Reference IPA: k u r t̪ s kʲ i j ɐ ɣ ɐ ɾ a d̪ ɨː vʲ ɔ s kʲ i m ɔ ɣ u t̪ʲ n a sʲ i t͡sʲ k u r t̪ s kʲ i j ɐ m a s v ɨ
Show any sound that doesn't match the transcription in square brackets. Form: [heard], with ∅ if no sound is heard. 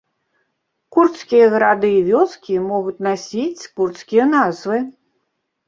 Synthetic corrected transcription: k u r t̪ s kʲ i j ɐ ɣ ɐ ɾ a d̪ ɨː vʲ ɔ s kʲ i m ɔ ɣ u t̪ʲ n a sʲ i t͡sʲ k u r t̪ s kʲ i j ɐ [n] a [z] v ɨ